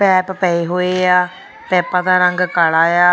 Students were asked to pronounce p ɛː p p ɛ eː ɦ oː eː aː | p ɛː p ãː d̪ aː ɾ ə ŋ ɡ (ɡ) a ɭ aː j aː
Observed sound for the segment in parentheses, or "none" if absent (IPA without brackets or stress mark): k